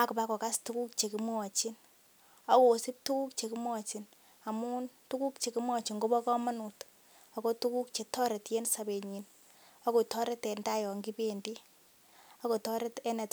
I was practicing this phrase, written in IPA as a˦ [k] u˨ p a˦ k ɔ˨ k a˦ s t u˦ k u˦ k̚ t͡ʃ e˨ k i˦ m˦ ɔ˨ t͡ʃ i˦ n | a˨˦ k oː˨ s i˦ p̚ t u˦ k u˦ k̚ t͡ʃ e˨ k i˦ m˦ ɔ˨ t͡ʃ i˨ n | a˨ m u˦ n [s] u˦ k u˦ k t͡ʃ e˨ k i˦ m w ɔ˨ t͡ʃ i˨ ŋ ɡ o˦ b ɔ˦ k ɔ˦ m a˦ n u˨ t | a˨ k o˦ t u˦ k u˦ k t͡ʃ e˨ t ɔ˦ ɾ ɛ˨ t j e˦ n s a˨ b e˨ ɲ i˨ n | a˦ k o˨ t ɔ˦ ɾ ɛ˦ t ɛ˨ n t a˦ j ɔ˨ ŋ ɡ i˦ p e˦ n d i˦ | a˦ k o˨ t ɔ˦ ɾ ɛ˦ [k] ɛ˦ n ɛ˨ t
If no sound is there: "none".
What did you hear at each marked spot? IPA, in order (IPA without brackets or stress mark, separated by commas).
k, t, t